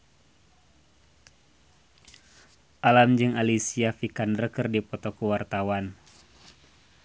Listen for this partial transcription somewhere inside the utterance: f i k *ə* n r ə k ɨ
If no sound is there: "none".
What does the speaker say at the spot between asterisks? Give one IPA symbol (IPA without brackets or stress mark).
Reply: a